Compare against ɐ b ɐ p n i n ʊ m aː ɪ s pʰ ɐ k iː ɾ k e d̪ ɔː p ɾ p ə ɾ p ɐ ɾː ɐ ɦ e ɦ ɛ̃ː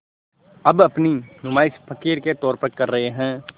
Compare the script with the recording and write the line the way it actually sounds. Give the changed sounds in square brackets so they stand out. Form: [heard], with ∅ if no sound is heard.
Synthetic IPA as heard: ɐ b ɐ p n i n ʊ m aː ɪ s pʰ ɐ k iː ɾ k e [t̪] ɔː [∅] ɾ p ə ɾ [k] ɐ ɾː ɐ ɦ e ɦ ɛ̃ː